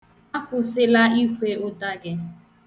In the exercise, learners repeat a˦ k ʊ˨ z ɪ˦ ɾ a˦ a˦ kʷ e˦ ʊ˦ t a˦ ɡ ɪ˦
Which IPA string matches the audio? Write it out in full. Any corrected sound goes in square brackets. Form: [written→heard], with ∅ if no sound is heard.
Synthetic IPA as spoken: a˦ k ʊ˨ [z→s] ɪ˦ [ɾ→l] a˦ [a˦→i˦] kʷ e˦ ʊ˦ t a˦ ɡ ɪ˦

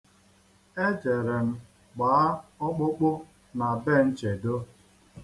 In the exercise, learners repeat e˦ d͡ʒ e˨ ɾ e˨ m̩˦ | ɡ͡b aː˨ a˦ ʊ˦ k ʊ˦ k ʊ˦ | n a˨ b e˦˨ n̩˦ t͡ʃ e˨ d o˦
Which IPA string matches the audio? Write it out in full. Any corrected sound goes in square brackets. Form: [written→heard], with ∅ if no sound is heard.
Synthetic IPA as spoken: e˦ d͡ʒ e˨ ɾ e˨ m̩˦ | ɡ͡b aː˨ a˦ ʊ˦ [k→k͡p] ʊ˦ [k→k͡p] ʊ˦ | n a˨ b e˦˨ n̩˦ t͡ʃ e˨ d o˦

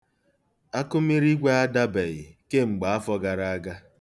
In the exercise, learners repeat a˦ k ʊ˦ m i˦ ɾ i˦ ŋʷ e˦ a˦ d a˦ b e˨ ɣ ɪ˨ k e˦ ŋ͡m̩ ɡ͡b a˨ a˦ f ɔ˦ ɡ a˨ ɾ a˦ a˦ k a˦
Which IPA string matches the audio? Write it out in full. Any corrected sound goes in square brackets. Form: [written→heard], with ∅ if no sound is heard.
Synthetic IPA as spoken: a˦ k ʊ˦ m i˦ ɾ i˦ [ŋʷ→ɡʷ] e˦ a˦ d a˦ b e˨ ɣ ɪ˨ k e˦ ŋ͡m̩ ɡ͡b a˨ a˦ f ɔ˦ ɡ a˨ ɾ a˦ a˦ [k→ɡ] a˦

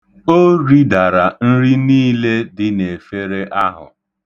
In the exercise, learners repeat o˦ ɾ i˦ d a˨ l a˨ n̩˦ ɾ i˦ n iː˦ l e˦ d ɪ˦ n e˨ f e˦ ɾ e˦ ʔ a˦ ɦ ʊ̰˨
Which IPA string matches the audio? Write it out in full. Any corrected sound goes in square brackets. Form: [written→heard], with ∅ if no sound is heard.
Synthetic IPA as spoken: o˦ ɾ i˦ d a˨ [l→ɾ] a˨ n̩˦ ɾ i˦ n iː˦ l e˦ d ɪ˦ n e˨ f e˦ ɾ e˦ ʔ a˦ ɦ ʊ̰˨

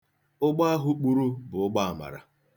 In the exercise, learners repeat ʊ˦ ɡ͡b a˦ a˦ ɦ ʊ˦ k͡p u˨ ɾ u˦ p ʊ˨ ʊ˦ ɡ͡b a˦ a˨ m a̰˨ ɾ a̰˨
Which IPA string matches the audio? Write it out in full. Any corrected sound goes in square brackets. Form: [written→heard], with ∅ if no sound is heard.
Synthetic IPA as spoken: ʊ˦ ɡ͡b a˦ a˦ ɦ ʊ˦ k͡p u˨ ɾ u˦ [p→b] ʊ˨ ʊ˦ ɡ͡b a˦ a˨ m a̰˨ ɾ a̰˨

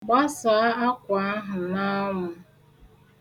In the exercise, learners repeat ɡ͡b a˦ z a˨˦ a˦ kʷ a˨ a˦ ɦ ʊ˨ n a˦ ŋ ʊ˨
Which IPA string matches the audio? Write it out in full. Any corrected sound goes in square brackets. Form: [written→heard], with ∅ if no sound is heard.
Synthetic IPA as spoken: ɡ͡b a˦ [z→s] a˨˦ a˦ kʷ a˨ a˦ ɦ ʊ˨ n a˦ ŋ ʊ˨

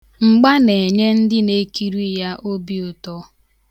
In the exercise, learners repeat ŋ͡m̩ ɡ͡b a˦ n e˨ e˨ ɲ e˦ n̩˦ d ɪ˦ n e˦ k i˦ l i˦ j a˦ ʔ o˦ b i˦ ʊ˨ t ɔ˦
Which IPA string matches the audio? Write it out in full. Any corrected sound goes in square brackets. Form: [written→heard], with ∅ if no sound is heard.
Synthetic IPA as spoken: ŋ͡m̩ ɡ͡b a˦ n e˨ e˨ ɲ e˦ n̩˦ d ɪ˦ n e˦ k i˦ [l→ɾ] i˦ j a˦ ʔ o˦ b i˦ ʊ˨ t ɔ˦

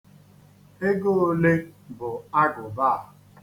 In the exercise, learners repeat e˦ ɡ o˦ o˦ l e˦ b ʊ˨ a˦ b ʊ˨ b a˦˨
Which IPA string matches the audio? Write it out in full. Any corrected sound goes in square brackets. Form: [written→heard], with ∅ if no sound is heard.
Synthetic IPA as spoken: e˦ ɡ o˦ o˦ l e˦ b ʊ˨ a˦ [b→ɡ] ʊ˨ b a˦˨

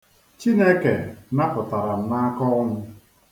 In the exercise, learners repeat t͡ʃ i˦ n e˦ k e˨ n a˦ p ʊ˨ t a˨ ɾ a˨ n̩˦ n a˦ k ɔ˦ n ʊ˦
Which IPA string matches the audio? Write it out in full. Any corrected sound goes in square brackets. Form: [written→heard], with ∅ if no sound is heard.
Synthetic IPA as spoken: t͡ʃ i˦ n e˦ k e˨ n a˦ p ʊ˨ t a˨ ɾ a˨ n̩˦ n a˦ k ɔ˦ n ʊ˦

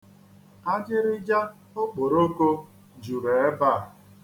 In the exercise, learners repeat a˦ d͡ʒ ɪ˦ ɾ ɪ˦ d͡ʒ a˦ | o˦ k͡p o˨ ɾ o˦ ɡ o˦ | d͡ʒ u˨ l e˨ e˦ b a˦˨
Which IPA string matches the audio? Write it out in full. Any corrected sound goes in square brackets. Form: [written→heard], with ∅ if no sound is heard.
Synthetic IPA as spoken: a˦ d͡ʒ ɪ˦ ɾ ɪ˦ d͡ʒ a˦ | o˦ k͡p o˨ ɾ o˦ [ɡ→k] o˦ | d͡ʒ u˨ [l→ɾ] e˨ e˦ b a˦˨

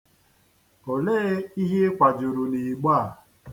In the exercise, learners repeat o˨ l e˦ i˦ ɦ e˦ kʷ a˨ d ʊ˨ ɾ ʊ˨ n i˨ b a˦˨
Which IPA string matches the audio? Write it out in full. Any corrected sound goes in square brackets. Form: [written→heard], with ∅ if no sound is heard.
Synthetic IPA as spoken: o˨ l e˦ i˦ ɦ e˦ kʷ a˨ [d→d͡ʒ] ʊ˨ ɾ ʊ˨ n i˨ [b→ɡ͡b] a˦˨

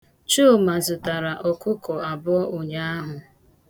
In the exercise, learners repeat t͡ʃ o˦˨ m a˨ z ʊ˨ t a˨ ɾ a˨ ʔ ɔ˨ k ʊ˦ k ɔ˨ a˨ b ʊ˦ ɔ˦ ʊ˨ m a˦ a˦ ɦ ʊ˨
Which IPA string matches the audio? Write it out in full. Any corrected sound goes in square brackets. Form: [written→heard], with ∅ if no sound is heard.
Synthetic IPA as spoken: t͡ʃ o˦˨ m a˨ z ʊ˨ t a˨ ɾ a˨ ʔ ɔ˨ k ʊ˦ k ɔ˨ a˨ b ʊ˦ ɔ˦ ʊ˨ [m→ɲ] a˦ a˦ ɦ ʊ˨

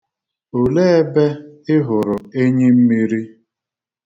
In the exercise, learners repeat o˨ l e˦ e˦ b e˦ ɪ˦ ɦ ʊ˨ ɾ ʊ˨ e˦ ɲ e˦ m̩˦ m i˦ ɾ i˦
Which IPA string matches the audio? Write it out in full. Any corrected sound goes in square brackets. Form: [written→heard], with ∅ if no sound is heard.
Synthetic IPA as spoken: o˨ l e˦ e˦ b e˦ ɪ˦ ɦ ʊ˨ ɾ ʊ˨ e˦ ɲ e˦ m̩˦ m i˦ ɾ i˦

